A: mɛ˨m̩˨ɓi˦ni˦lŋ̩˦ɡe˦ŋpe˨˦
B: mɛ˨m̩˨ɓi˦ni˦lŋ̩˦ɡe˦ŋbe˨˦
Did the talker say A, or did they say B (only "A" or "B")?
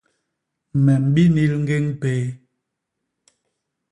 A